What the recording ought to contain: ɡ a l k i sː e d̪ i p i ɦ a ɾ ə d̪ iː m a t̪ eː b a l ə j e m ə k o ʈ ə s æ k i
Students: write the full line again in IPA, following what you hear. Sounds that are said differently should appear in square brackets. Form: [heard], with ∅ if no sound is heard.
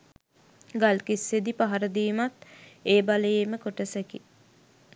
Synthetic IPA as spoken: ɡ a l k i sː e d̪ i p [a] ɦ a ɾ ə d̪ iː m a t̪ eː b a l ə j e m ə k o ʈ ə s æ k i